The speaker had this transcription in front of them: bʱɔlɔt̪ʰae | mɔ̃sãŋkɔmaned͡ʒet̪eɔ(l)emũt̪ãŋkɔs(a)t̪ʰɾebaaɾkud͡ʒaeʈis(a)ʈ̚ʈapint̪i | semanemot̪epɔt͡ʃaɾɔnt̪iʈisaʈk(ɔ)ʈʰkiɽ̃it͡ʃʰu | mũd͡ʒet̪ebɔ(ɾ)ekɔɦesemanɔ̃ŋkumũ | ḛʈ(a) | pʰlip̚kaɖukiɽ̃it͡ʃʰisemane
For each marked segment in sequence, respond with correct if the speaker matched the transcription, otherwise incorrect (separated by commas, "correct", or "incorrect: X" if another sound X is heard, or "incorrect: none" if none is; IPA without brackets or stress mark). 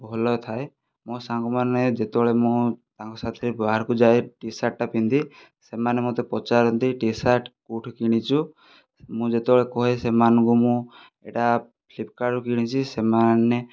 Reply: incorrect: ɭ, correct, correct, incorrect: u, incorrect: ɭ, correct